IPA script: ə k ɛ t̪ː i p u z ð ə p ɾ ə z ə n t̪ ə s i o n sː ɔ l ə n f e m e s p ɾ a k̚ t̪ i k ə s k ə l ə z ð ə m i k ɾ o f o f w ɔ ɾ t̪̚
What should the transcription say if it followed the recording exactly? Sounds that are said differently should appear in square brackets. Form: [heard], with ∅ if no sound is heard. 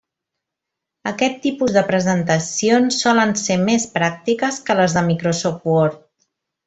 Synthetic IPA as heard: ə k ɛ t̪ː i p u z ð ə p ɾ ə z ə n t̪ ə s i o n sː ɔ l ə n [s] e m e s p ɾ a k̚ t̪ i k ə s k ə l ə z ð ə m i k ɾ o [s] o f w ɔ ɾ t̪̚